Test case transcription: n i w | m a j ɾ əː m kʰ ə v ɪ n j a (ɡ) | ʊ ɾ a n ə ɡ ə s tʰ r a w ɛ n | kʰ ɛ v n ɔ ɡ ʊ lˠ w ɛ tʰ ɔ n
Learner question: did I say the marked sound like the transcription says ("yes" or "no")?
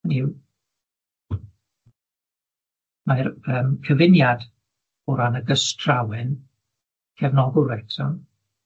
no